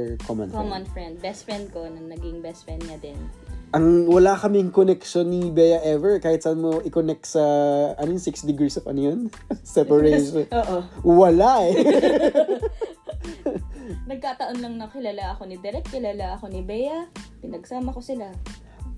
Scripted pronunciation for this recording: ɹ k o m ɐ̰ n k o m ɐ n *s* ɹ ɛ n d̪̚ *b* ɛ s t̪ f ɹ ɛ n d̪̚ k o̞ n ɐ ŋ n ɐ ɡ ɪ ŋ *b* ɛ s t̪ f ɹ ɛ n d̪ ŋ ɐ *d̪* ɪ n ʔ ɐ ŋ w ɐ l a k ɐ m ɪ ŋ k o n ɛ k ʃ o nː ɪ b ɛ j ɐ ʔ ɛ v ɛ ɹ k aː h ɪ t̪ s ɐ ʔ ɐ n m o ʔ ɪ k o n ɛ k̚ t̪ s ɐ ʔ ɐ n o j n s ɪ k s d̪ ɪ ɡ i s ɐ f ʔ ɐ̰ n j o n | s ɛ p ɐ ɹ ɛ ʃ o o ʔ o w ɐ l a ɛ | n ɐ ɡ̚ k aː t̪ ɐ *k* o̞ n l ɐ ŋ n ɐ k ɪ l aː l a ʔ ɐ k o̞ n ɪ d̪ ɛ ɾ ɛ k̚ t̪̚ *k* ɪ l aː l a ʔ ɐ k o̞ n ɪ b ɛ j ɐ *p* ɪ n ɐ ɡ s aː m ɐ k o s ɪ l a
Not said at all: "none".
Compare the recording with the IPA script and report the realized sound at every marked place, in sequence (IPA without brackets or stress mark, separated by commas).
f, b, b, d̪, ʔ, k, p